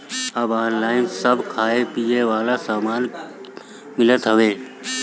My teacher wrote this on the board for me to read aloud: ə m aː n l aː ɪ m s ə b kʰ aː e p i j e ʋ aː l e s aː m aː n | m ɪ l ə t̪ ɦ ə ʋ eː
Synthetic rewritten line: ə b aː n l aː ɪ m s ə b kʰ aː e p i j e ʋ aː l a s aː m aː n | m ɪ l ə t̪ ɦ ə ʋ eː